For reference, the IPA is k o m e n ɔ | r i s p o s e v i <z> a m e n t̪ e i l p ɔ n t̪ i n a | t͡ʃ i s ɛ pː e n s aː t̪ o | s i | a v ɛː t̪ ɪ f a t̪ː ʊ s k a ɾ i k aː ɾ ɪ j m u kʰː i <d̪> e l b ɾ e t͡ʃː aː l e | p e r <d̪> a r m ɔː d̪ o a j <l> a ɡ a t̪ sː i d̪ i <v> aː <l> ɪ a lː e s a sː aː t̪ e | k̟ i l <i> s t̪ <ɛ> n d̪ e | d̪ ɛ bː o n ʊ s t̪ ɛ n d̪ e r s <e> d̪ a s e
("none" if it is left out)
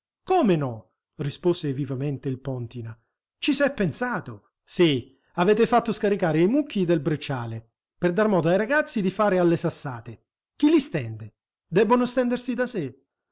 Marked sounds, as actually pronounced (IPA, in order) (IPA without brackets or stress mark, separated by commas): v, d̪, d̪, ɾ, f, ɾ, i, ɛ, i